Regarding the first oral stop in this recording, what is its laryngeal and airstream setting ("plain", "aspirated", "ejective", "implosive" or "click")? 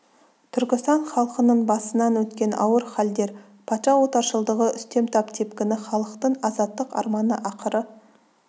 aspirated